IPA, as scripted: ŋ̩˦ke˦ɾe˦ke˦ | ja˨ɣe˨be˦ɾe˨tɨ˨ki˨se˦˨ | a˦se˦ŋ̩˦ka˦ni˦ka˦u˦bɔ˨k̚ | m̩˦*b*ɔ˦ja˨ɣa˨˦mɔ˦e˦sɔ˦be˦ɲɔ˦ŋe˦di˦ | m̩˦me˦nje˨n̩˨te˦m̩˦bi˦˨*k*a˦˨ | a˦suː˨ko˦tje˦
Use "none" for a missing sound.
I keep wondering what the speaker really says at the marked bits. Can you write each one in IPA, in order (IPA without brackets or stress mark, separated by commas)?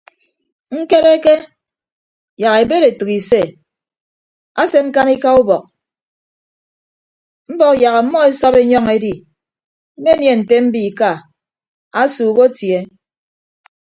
b, k